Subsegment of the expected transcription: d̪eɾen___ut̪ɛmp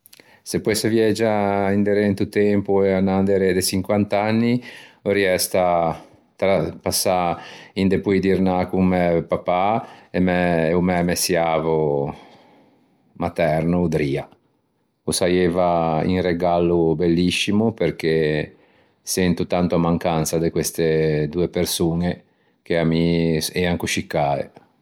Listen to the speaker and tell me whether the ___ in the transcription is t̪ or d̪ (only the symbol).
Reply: t̪